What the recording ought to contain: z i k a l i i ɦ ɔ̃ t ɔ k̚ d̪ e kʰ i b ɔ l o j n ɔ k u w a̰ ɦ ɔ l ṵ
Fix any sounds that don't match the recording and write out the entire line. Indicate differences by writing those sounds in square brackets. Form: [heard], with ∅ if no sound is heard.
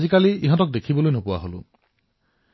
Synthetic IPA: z i k a l i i ɦ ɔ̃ t ɔ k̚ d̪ e kʰ i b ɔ l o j n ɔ [p] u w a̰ ɦ [o] l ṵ